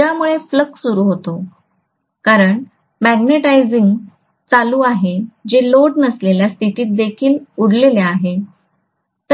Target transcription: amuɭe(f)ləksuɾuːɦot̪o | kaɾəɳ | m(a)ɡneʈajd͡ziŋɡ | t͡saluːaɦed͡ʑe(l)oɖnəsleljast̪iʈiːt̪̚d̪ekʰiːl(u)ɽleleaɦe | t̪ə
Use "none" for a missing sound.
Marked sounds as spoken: f, æ, l, u

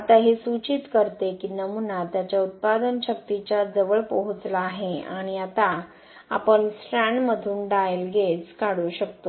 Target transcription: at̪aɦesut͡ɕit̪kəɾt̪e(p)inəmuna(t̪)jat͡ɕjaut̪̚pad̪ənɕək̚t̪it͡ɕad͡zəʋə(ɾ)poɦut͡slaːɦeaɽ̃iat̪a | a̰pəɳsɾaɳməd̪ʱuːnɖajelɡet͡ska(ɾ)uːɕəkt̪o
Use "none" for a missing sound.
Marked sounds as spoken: k, t̪, ɭ, ɽ

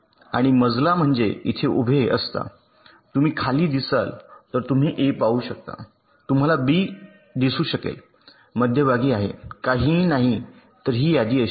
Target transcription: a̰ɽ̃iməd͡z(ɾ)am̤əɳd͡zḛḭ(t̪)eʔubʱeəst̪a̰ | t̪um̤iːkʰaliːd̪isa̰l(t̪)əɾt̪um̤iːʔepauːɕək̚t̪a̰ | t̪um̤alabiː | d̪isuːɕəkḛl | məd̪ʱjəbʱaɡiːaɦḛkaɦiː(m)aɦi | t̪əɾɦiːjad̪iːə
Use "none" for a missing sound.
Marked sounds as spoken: l, t̪ʰ, t̪, n

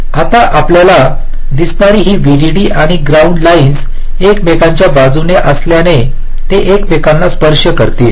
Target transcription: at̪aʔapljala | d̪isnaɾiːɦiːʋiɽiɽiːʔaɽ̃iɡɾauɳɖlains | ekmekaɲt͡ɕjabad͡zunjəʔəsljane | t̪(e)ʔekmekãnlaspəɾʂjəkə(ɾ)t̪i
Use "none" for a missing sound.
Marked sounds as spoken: e, ɾ

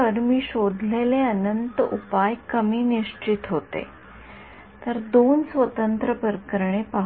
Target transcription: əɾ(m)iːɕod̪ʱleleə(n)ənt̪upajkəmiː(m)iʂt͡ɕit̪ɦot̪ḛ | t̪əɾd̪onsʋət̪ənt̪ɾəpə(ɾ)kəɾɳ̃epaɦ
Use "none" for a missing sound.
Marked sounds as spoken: m, n, n, ɾ

